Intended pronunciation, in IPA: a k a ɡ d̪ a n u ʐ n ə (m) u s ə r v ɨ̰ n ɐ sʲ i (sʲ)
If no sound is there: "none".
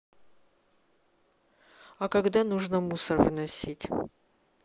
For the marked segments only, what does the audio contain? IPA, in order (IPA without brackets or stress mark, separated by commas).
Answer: m, tʲ